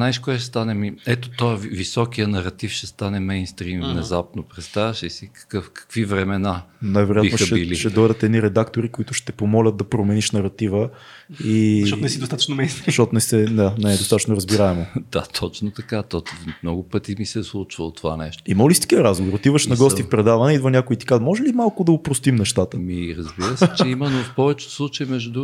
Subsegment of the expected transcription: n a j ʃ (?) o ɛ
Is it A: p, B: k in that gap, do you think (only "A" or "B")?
B